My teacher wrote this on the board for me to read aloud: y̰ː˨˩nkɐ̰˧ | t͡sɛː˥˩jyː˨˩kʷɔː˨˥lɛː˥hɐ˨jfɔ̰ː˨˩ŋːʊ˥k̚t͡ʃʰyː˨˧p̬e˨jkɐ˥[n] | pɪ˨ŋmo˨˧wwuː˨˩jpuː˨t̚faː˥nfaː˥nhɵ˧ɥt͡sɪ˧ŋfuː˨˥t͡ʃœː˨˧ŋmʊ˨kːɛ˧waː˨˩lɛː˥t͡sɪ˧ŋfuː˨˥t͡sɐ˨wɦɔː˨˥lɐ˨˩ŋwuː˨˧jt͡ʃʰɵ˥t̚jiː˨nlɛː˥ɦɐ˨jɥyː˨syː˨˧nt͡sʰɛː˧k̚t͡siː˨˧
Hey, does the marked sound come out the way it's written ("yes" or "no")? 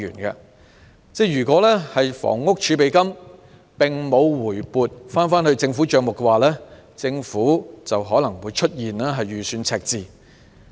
no